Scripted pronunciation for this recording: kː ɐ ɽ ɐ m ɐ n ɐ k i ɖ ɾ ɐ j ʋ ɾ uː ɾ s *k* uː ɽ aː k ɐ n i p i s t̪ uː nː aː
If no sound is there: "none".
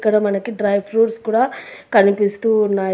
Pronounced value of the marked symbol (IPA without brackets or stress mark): k